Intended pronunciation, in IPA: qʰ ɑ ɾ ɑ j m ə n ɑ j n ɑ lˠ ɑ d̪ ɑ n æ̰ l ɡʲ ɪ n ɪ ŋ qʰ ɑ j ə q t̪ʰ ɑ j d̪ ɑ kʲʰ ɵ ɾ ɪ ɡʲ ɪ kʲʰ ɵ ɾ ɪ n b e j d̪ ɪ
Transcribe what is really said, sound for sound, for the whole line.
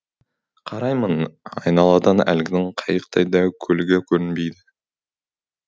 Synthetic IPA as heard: qʰ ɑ ɾ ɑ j m ə n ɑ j n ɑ lˠ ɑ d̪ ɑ n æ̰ l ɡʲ ɪ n ɪ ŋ qʰ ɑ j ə q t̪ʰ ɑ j d̪ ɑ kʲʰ ɵ l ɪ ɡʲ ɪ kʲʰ ɵ ɾ ɪ n b e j d̪ ɪ